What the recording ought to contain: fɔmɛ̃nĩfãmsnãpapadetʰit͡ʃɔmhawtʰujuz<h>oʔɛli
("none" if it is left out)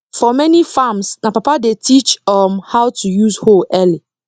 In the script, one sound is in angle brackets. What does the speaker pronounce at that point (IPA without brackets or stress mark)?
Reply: h